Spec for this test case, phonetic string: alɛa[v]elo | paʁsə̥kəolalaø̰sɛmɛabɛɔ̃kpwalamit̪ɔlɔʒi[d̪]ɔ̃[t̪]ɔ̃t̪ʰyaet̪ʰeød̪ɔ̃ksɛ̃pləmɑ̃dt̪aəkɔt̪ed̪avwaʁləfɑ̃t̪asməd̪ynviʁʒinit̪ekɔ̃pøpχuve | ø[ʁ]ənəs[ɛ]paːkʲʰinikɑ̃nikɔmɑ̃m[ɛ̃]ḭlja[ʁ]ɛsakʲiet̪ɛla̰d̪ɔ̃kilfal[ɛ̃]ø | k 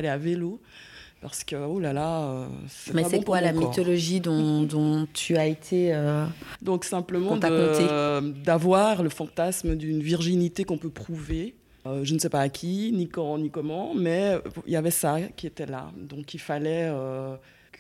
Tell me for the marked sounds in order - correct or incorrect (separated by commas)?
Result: correct, correct, incorrect, incorrect, correct, incorrect, incorrect, incorrect